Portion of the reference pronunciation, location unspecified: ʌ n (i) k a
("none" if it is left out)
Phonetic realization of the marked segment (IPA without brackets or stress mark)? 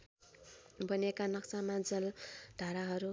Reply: e